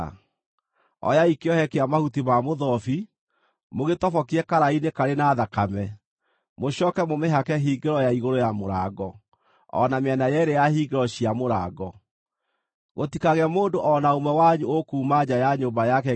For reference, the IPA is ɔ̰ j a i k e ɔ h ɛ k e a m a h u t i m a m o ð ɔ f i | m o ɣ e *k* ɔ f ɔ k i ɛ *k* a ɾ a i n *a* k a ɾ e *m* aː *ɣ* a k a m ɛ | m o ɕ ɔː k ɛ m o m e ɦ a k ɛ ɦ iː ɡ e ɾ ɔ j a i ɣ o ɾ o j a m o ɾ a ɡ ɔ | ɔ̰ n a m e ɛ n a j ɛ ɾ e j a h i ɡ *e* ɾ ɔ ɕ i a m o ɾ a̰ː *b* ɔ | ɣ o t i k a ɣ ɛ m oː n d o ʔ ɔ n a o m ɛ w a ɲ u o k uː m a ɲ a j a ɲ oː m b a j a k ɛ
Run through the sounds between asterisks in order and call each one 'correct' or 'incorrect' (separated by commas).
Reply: incorrect, correct, incorrect, incorrect, incorrect, correct, incorrect